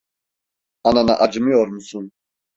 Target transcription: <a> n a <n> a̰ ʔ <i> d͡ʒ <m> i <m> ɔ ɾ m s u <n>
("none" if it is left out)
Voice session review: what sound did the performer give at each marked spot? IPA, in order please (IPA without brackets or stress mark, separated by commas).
a, n, a, m, none, n